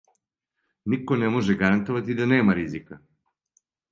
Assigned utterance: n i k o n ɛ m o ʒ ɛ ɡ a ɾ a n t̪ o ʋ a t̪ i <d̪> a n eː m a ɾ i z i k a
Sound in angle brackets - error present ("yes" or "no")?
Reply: no